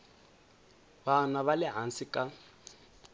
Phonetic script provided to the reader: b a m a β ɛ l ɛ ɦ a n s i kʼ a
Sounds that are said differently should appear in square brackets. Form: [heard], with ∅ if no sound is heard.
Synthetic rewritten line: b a [n] a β [a] l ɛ ɦ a n s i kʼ a